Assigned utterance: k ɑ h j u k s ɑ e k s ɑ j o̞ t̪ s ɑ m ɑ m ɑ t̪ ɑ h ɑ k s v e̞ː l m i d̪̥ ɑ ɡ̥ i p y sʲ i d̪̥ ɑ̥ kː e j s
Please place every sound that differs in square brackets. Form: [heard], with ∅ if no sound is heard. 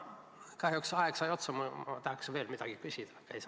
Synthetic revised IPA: k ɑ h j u k s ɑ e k s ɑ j o̞ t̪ s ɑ m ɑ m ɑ t̪ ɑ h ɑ k s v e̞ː l m i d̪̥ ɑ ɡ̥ i [k] y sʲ i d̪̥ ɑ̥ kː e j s